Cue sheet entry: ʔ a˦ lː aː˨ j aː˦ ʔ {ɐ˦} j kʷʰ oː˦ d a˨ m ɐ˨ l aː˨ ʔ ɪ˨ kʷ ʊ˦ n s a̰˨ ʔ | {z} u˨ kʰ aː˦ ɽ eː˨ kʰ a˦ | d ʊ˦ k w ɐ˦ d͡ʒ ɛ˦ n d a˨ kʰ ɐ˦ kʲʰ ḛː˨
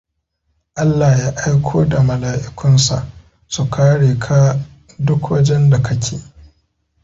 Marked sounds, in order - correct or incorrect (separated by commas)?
incorrect, incorrect